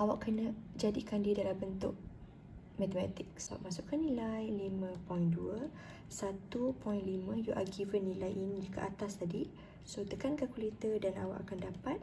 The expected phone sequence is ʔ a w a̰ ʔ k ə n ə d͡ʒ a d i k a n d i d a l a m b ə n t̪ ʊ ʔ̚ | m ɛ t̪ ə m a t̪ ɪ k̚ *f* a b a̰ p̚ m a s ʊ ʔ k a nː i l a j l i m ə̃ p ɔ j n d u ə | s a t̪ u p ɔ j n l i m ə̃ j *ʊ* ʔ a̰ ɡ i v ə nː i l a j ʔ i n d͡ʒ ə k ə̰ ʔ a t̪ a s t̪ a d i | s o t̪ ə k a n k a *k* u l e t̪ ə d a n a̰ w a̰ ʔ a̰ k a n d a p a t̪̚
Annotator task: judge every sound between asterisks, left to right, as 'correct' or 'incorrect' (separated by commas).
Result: incorrect, incorrect, correct